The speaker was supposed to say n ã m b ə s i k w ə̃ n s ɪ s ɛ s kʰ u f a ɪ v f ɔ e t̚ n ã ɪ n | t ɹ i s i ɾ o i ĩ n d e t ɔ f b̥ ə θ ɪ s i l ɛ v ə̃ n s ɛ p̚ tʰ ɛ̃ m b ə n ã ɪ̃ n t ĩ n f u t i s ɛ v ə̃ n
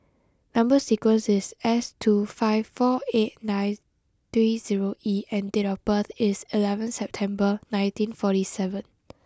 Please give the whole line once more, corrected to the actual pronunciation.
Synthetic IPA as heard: n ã m b ə s i k w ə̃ n s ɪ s ɛ s tʰ u f a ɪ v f ɔ e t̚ n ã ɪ n | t ɹ i z i ɹ o i ɛ̃ n d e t ɔ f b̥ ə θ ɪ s i l ɛ v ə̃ n s ɛ p̚ tʰ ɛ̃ m b ə n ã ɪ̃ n t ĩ n f ɔ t i s ɛ v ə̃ n